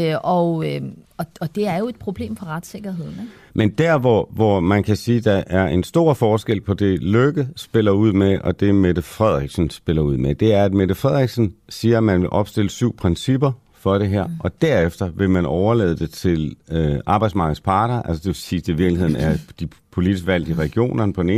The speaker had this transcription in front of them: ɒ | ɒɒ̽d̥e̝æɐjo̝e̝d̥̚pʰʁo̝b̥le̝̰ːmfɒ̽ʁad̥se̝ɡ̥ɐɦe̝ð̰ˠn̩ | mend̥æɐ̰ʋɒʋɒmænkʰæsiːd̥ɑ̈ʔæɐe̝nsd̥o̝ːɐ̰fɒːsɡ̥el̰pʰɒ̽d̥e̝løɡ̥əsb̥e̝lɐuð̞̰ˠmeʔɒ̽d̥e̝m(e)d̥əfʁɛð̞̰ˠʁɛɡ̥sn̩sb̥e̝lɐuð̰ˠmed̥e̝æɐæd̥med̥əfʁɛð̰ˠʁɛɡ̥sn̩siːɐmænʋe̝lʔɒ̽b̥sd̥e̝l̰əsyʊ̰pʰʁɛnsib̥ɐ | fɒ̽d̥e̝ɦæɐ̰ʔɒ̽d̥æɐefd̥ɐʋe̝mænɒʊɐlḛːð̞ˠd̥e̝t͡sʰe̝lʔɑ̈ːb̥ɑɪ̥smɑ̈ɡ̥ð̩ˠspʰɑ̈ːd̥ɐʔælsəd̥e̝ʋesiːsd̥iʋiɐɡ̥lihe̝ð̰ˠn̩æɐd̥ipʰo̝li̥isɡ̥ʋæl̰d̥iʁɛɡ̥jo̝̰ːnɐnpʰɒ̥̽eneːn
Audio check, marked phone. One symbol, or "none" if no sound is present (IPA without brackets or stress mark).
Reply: e